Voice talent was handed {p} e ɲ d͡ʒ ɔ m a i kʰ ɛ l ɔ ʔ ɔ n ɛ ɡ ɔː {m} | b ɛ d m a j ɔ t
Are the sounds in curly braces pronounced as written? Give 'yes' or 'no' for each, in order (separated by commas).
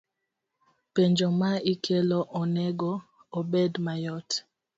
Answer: yes, no